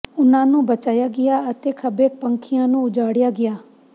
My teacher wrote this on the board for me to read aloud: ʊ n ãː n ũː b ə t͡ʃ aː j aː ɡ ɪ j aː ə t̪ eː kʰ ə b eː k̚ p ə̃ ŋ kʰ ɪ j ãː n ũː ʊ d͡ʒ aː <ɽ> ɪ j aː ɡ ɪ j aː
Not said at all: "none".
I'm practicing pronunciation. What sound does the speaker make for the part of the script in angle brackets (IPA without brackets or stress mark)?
ɽ